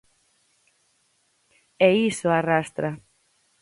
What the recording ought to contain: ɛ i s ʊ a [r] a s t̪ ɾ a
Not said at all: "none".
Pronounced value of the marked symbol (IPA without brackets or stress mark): r